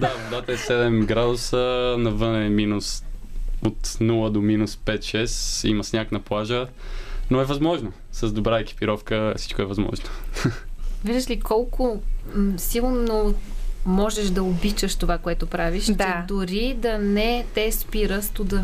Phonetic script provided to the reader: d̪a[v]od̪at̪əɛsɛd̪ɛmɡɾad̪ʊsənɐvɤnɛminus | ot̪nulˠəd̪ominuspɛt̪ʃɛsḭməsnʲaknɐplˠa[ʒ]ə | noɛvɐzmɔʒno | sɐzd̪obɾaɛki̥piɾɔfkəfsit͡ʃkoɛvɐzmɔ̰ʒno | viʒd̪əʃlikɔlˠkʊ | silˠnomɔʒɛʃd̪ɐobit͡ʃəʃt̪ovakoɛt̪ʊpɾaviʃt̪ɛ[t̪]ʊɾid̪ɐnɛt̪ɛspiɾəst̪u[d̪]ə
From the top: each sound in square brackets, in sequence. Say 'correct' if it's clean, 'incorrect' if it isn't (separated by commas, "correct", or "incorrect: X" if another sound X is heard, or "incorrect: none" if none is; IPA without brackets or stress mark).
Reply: correct, correct, incorrect: d̪, correct